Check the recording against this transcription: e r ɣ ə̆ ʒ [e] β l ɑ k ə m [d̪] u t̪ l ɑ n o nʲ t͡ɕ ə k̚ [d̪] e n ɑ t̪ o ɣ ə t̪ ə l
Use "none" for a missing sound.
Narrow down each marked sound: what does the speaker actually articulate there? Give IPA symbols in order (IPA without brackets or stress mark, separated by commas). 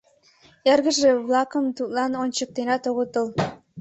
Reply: e, t̪, t̪